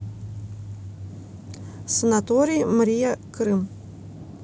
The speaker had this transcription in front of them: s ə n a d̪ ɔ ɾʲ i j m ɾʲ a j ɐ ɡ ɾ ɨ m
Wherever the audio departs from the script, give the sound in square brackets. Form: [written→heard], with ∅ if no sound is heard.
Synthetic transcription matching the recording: s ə n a [d̪→t̪] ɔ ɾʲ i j m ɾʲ [a→i] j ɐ [ɡ→k] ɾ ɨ m